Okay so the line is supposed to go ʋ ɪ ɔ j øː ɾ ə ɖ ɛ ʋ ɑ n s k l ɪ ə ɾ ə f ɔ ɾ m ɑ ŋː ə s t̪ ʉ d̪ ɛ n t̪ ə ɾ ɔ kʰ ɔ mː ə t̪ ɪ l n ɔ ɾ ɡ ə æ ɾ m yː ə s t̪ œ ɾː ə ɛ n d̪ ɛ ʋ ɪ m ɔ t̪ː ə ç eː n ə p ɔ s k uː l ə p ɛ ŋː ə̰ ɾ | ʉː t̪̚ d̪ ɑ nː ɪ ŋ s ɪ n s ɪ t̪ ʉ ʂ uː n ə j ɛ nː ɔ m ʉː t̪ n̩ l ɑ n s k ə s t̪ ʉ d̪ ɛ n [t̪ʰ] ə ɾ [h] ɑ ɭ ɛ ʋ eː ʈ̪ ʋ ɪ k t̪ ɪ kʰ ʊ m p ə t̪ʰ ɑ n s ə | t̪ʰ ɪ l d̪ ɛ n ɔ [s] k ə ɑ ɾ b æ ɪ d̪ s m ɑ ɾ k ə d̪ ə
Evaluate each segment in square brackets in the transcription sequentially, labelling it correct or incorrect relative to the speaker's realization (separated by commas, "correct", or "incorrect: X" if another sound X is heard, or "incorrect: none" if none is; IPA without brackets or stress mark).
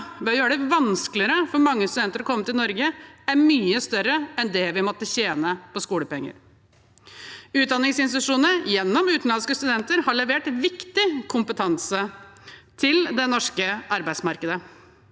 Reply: incorrect: t̪, correct, incorrect: ʂ